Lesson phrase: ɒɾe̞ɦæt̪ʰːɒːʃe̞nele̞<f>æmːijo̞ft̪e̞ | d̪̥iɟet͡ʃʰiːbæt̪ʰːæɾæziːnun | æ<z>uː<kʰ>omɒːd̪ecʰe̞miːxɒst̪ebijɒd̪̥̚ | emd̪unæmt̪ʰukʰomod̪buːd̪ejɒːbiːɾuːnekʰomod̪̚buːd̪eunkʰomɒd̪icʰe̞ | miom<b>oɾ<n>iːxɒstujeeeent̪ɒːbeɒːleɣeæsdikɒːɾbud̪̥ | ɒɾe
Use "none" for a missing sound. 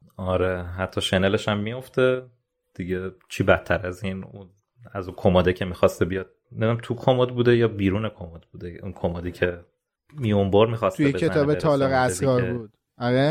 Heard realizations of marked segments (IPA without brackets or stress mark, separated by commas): ʃ, z, kʰ, b, m